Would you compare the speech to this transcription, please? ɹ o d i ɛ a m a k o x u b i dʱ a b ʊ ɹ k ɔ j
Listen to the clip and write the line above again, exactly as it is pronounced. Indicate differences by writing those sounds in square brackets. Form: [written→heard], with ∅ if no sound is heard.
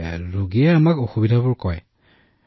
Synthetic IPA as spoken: ɹ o [d→ɡ] i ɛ a m a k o x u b i dʱ a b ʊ ɹ k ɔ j